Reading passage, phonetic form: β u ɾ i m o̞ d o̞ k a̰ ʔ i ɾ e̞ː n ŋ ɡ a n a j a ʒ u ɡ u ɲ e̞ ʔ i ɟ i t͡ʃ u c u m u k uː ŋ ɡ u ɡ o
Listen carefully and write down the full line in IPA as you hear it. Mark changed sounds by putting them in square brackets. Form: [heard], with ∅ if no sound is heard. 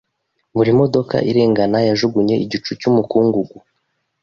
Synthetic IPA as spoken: β u ɾ i m o̞ d o̞ k a̰ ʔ i ɾ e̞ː [∅] ŋ ɡ a n a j a ʒ u ɡ u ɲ e̞ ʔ i ɟ i t͡ʃ u c u m u k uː ŋ ɡ u ɡ [u]